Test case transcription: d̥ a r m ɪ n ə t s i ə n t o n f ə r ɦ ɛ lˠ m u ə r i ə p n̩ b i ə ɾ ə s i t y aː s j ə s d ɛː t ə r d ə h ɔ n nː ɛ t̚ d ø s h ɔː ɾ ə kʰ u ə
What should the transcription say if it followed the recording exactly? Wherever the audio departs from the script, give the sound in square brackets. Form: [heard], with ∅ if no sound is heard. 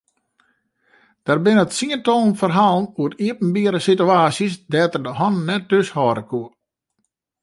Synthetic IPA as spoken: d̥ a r [b] ɪ n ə t s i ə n t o n f ə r ɦ [a] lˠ [n] u ə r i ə p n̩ b i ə ɾ ə s i t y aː s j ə s d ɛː t ə r d ə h ɔ n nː ɛ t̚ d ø s h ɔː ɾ ə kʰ u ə